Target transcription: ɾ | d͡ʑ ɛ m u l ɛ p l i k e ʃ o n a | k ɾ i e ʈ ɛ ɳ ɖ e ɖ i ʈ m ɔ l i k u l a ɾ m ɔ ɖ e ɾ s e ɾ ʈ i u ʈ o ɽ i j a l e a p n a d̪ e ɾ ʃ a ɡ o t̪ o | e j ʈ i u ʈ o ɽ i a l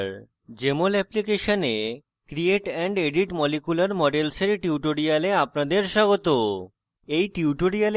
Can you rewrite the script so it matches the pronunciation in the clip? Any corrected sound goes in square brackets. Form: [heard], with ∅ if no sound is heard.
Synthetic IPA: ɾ | d͡ʑ [e] m [o] l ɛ p l i k e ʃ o n [e] | k ɾ i e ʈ ɛ ɳ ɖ e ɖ i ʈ m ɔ l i k u l a ɾ m ɔ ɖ e [l] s e ɾ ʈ i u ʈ o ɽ i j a l e a p n a d̪ e ɾ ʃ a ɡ o t̪ o | e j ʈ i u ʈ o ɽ i a l